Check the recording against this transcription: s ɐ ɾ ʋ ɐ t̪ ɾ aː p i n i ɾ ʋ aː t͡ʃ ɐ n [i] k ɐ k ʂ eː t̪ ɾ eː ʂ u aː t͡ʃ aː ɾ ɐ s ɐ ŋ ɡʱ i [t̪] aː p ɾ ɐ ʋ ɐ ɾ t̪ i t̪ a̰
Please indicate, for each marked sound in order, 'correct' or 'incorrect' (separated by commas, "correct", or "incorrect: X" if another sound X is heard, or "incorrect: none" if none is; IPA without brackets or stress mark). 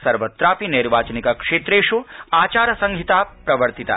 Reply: correct, correct